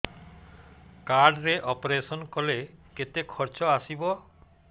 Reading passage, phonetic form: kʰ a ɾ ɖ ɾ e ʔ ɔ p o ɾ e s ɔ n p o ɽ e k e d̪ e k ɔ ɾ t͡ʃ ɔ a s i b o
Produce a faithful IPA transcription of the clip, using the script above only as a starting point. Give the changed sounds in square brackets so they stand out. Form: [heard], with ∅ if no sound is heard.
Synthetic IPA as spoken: [k] a ɾ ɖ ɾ e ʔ ɔ p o ɾ e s ɔ n [k] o [l] e k e [t̪] e [kʰ] ɔ ɾ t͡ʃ ɔ a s i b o